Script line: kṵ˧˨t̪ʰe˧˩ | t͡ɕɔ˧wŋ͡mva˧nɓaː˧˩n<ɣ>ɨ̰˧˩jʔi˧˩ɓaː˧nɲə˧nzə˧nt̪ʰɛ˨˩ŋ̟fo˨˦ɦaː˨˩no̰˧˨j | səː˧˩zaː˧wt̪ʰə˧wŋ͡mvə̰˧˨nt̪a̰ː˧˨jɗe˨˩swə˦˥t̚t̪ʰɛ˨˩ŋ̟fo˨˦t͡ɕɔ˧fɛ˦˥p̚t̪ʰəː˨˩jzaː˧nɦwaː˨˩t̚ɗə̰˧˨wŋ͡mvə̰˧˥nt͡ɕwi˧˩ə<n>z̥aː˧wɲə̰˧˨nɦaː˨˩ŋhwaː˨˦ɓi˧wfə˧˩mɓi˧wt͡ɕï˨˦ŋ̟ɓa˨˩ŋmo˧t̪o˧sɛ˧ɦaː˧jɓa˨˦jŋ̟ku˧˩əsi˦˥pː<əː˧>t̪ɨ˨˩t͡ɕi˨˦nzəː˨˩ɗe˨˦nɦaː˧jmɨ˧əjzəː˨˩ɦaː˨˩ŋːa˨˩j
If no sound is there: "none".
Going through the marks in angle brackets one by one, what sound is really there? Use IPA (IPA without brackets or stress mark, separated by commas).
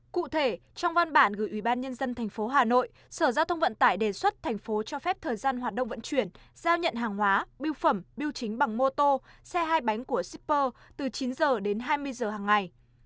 ɣ, n, əː˧